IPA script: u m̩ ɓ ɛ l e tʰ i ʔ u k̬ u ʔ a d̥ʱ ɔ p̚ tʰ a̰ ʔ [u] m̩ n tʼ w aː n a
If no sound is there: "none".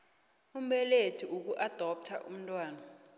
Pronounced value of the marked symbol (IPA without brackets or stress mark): u